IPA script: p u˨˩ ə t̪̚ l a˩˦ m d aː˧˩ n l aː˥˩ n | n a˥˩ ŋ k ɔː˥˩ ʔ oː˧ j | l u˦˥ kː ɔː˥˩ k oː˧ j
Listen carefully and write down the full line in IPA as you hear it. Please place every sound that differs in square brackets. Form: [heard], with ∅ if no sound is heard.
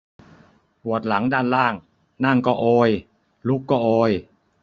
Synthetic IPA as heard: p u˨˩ ə t̪̚ l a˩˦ [ŋ] d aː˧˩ n l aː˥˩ [ŋ] | n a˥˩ ŋ k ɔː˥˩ ʔ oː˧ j | l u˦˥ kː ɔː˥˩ [ʔ] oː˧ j